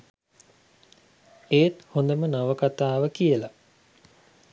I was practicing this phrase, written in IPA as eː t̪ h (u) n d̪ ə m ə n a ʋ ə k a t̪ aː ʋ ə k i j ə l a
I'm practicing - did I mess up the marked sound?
yes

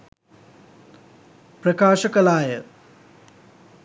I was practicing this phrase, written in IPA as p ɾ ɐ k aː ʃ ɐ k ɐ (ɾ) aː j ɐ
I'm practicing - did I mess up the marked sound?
yes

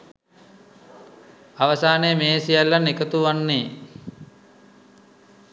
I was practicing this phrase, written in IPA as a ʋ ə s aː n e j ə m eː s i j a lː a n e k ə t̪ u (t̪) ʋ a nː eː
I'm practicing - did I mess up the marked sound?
yes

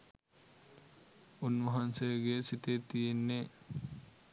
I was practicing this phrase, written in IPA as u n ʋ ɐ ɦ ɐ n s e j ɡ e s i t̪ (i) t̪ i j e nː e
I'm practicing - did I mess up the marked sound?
yes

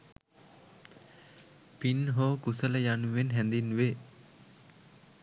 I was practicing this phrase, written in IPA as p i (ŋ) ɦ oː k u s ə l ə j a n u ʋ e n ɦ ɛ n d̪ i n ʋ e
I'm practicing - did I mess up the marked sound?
yes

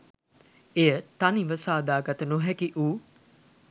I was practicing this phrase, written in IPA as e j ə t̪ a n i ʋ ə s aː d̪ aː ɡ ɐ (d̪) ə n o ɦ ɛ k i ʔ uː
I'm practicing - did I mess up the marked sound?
yes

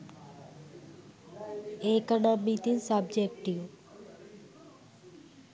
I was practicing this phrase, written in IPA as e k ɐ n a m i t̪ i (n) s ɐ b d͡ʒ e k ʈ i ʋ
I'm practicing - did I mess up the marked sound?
no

